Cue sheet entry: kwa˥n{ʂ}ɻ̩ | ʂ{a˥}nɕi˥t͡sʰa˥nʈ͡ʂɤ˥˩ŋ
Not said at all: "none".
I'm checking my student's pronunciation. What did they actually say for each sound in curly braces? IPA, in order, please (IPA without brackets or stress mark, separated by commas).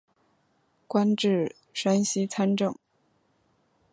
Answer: ʈ͡ʂ, a˥